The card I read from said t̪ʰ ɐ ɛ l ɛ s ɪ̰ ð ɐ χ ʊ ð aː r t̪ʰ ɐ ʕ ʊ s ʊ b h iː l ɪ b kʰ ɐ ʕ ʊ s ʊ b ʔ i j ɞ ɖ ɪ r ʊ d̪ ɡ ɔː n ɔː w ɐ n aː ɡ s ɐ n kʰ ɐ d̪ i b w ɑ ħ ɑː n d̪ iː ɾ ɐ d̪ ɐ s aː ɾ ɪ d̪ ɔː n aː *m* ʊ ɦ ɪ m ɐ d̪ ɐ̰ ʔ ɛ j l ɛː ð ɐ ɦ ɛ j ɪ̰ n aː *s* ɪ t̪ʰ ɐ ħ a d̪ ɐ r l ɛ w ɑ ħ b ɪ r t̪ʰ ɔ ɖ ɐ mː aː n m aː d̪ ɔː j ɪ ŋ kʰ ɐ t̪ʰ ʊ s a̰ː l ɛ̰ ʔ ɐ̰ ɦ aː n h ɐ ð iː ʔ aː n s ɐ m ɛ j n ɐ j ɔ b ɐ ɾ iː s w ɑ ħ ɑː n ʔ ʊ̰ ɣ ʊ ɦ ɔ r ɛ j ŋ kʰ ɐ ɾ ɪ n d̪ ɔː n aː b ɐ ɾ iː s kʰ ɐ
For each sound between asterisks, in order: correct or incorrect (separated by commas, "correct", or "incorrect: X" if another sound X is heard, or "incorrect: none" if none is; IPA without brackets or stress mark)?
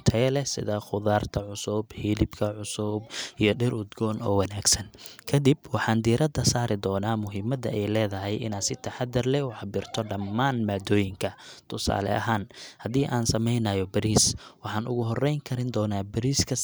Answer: correct, correct